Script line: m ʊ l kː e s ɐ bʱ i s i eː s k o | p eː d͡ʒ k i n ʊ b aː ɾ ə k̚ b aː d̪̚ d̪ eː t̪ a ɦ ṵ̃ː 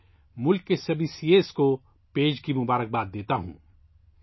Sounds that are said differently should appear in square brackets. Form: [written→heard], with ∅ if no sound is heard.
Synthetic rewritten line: m ʊ l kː e s ɐ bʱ i s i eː s k o | p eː d͡ʒ k i [n→m] ʊ b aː ɾ ə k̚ b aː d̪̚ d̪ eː t̪ a ɦ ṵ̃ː